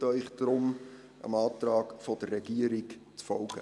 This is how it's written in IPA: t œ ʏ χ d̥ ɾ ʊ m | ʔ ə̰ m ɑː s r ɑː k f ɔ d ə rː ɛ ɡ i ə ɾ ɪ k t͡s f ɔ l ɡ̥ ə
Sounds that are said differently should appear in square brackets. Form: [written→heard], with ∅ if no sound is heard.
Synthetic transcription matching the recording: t œ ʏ χ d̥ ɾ ʊ m | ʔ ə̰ m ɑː [s→t] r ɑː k f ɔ d ə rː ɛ ɡ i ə ɾ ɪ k t͡s f ɔ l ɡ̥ ə